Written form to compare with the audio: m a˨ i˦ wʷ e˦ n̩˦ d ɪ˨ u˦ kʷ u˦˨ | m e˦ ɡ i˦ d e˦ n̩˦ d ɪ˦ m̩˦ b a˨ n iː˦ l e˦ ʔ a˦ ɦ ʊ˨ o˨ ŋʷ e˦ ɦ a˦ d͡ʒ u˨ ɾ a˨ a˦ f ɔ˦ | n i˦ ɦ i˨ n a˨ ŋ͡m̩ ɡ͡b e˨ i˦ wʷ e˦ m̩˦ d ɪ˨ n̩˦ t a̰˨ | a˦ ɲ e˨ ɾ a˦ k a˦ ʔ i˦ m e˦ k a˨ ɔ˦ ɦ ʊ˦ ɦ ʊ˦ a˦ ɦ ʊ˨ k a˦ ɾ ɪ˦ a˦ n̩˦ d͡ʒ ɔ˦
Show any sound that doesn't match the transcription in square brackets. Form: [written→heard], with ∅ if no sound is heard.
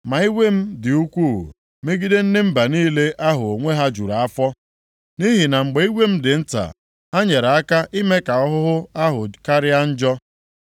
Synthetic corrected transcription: m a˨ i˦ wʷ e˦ [n̩˦→m̩˦] d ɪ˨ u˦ kʷ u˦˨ | m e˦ ɡ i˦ d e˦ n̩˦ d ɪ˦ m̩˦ b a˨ n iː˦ l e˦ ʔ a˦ ɦ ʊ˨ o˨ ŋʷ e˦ ɦ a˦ d͡ʒ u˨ ɾ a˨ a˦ f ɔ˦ | n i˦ ɦ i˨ n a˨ ŋ͡m̩ ɡ͡b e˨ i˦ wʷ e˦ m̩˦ d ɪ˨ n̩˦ t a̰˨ | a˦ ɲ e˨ ɾ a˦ k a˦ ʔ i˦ m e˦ k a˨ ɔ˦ ɦ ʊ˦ ɦ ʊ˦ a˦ ɦ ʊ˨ k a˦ ɾ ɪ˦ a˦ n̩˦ d͡ʒ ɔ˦

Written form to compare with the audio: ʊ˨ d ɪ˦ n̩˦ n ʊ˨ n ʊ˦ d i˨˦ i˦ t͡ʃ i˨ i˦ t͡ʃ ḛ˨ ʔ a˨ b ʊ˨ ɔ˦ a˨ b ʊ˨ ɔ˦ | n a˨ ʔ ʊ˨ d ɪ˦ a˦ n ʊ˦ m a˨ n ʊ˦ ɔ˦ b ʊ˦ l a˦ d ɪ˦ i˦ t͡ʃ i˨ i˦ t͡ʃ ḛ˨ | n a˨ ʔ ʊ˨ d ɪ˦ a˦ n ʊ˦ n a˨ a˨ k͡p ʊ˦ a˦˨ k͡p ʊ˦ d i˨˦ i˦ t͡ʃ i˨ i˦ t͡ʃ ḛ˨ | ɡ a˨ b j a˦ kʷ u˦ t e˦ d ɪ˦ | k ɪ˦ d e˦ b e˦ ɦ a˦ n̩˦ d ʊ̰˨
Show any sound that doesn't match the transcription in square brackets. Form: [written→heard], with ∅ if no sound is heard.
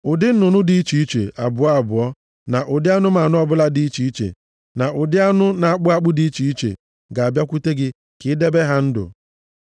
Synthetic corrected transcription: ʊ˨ d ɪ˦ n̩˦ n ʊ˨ n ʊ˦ d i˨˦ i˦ t͡ʃ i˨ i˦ t͡ʃ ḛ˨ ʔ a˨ b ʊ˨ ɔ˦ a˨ b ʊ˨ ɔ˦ | n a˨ ʔ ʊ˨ d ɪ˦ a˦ n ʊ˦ m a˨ n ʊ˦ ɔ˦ b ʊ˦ l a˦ d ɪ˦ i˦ t͡ʃ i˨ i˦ t͡ʃ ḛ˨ | n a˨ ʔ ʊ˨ d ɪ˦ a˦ n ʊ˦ n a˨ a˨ k͡p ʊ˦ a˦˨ k͡p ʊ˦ d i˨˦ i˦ t͡ʃ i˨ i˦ t͡ʃ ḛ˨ | ɡ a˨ b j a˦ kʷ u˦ t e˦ [d→ɡ] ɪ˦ | k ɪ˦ d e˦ b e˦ ɦ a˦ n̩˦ d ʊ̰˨

